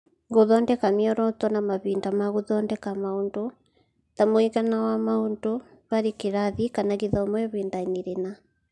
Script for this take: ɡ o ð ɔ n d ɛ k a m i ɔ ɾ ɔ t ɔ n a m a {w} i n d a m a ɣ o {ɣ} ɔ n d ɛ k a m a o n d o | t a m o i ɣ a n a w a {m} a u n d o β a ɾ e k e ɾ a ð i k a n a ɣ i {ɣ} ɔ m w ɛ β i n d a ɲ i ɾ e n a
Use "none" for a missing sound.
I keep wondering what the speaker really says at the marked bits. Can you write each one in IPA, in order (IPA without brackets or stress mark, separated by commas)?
β, ð, m, ð